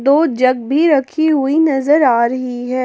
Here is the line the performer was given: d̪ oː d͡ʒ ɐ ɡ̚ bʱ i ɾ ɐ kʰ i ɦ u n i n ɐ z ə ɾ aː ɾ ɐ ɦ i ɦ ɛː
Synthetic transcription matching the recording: d̪ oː d͡ʒ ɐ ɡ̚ bʱ i ɾ ɐ kʰ i ɦ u i n ɐ z ə ɾ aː ɾ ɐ ɦ i ɦ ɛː